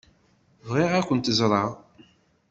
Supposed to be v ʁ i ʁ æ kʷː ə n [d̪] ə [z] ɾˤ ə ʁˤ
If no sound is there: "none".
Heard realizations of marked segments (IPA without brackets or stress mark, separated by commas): t̪, z